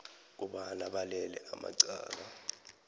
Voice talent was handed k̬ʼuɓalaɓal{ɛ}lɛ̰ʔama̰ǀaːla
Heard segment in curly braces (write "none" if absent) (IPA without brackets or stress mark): ɛ